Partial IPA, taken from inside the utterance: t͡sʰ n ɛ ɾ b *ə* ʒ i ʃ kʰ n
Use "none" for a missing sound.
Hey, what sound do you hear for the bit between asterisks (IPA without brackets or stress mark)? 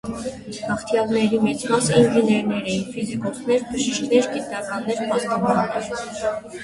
ə